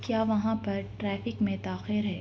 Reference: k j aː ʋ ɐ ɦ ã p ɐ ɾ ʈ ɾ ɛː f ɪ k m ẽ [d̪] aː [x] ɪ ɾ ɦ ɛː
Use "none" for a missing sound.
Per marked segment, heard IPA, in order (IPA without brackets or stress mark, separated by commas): t̪, x